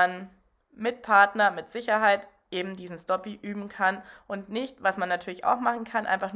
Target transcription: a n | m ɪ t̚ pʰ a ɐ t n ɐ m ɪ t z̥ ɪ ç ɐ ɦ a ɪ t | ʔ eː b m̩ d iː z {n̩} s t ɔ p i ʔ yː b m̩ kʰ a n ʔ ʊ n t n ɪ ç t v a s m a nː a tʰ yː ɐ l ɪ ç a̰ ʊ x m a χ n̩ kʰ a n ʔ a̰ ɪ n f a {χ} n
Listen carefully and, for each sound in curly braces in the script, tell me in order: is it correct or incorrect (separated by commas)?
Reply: correct, correct